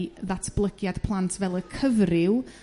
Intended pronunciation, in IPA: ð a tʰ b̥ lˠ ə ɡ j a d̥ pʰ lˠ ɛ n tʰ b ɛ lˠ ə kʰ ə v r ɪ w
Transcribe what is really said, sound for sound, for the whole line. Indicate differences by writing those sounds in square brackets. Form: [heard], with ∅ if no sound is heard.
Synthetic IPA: ð a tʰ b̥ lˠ ə ɡ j a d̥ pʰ lˠ [a] n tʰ [v] ɛ lˠ ə kʰ ə v r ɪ w